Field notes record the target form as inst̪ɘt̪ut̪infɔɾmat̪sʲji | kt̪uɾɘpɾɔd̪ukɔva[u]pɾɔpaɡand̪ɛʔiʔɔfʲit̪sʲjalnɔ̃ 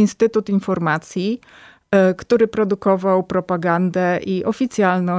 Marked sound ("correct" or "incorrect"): incorrect